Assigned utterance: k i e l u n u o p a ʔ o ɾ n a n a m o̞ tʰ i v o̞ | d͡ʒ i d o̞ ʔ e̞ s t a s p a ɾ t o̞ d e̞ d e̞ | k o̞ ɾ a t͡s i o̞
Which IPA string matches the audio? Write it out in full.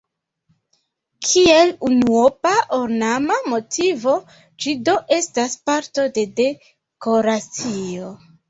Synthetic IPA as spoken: kʰ i e l u n u o p a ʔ o ɾ n a m a m o̞ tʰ i v o̞ | d͡ʒ i d o̞ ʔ e̞ s t a s p a ɾ t o̞ d e̞ d e̞ | k o̞ ɾ a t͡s i o̞